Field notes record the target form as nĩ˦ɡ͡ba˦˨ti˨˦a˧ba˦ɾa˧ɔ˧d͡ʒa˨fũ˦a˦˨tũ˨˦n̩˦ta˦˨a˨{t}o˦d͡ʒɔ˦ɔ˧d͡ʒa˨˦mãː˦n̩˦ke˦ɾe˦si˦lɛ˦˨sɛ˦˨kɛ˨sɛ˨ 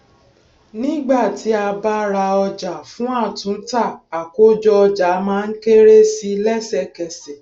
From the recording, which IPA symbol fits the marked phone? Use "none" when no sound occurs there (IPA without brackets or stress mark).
k